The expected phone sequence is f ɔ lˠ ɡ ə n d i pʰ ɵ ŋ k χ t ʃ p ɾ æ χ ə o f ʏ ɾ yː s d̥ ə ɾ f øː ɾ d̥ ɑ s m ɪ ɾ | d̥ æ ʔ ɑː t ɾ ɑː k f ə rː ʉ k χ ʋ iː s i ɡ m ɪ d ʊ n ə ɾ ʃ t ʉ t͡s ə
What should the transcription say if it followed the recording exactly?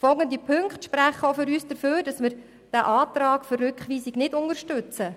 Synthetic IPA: f ɔ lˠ ɡ ə n d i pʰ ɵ ŋ k χ t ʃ p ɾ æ χ ə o f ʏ ɾ yː s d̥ ə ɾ f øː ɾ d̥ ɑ s m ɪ ɾ | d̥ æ ʔ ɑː t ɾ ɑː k f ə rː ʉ k χ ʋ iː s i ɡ n ɪ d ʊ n ə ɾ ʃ t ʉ t͡s ə